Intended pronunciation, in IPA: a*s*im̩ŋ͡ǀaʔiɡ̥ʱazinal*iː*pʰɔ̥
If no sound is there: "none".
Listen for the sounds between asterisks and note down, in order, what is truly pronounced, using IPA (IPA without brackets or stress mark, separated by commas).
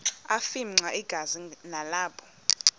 f, aː